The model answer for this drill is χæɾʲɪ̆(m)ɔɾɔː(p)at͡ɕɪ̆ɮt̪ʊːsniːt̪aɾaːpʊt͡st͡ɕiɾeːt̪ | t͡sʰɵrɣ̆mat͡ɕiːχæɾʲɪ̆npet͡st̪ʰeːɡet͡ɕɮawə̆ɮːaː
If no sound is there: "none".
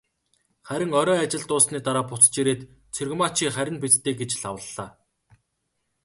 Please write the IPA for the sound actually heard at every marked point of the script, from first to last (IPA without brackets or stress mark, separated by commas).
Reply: ŋ, none